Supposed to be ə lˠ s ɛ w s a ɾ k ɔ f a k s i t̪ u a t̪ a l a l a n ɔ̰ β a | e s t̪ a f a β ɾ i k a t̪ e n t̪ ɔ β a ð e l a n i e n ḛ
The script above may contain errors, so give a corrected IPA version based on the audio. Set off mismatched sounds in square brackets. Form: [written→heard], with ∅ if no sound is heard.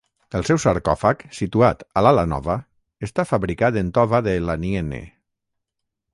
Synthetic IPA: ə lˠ s ɛ w s a ɾ k ɔ f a k s i t̪ u a t̪ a l a l a n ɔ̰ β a | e s t̪ a f a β ɾ i k a t̪ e n t̪ ɔ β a ð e l a n i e n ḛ